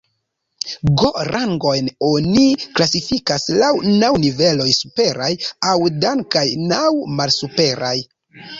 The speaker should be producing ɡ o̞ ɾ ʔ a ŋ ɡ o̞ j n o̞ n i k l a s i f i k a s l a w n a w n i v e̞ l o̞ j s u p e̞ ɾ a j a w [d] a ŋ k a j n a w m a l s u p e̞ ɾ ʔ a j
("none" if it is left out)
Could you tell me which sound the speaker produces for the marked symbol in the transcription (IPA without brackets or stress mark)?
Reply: d